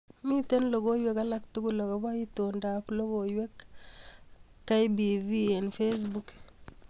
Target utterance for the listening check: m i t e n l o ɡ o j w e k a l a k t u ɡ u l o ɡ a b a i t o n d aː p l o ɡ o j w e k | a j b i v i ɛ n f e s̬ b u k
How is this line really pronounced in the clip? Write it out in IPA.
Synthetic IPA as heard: m i t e n l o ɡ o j w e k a l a k t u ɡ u l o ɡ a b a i t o n d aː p l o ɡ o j w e k | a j b i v i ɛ n f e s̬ b u k